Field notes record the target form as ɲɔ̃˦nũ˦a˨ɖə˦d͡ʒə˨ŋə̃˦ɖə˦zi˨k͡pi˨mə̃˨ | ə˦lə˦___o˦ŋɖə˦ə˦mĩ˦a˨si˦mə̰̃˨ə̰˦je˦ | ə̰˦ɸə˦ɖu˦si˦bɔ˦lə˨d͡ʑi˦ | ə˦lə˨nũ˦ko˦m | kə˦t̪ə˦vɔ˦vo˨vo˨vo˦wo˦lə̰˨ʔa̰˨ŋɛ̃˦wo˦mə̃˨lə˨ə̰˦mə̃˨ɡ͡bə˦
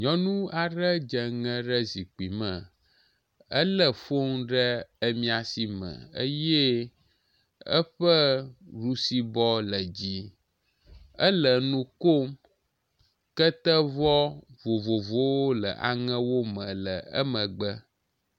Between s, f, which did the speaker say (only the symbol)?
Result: f